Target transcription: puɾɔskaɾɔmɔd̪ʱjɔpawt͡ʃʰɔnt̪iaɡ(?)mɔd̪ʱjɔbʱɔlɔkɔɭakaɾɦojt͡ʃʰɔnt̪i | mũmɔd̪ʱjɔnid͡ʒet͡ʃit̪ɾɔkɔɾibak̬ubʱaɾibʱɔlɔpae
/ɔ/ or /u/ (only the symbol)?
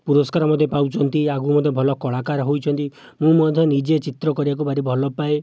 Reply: u